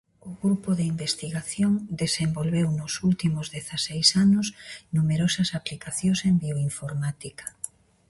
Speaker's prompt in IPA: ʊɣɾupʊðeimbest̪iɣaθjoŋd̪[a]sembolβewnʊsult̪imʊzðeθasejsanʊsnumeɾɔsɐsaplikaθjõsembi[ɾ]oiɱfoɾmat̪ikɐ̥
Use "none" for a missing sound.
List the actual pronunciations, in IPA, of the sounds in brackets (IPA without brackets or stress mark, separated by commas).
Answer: e, none